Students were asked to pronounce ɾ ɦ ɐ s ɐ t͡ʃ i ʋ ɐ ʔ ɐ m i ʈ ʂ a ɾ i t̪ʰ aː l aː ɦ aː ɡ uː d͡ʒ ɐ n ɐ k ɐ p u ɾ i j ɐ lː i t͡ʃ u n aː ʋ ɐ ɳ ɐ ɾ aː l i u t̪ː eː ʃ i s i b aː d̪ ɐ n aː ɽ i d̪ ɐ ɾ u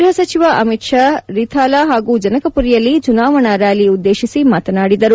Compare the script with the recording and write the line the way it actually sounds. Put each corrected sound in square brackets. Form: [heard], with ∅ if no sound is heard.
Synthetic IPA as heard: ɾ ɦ ɐ s ɐ t͡ʃ i ʋ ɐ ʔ ɐ m i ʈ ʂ a ɾ i t̪ʰ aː l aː ɦ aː ɡ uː d͡ʒ ɐ n ɐ k ɐ p u ɾ i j ɐ lː i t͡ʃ u n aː ʋ ɐ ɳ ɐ ɾ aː l i u [d̪ː] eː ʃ i s i [m] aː [t̪] ɐ n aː ɽ i d̪ ɐ ɾ u